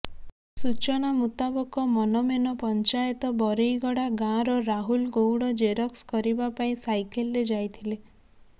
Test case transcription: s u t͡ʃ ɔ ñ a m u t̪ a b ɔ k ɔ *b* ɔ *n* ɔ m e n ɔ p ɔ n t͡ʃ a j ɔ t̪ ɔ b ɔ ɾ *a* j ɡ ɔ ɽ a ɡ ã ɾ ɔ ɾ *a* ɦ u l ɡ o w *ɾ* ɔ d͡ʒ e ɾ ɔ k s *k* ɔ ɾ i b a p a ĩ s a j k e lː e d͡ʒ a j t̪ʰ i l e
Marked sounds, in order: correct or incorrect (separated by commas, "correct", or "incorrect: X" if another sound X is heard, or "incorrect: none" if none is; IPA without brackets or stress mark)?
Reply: incorrect: m, correct, incorrect: e, correct, incorrect: ɽ, correct